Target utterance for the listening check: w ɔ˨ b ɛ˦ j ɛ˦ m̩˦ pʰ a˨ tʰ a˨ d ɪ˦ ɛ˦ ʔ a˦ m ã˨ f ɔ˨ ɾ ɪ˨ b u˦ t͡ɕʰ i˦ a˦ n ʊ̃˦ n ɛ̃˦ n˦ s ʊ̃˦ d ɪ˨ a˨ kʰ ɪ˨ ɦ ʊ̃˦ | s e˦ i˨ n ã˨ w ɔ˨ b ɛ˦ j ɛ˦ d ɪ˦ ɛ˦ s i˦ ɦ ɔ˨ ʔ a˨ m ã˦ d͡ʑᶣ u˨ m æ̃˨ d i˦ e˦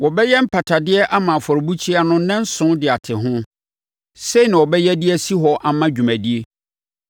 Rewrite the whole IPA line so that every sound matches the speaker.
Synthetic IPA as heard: w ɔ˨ b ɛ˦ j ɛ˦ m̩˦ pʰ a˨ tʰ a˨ d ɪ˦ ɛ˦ ʔ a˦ m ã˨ f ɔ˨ ɾ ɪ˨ b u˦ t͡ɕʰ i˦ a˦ n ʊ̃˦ n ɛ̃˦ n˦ s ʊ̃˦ d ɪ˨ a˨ tʰ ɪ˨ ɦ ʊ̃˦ | s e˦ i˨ n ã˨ w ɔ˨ b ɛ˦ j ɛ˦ d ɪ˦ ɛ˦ s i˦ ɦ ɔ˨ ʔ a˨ m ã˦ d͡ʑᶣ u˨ m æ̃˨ d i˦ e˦